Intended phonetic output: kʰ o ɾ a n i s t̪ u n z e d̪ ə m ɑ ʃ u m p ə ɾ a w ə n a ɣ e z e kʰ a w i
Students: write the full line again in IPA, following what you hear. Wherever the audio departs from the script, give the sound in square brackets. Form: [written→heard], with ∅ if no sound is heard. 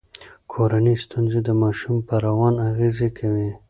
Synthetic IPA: kʰ o ɾ a n i s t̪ u n z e d̪ ə m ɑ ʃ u m p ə ɾ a w [ə→ɑ] n a ɣ e z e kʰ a w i